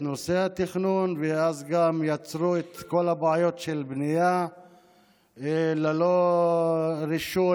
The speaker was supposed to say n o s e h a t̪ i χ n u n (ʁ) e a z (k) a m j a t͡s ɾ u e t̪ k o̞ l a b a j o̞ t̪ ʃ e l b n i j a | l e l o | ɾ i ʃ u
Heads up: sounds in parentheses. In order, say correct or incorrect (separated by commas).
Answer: incorrect, incorrect